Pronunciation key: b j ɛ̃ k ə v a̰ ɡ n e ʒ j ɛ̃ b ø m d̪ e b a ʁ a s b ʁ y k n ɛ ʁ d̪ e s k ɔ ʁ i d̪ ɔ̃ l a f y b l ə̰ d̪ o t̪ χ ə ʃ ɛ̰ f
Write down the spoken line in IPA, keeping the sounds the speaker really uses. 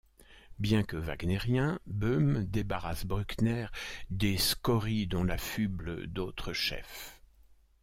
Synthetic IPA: b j ɛ̃ k ə v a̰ ɡ n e ʁ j ɛ̃ b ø m d̪ e b a ʁ a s b ʁ y k n ɛ ʁ d̪ e s k ɔ ʁ i d̪ ɔ̃ l a f y b l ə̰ d̪ o t̪ χ ə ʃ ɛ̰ f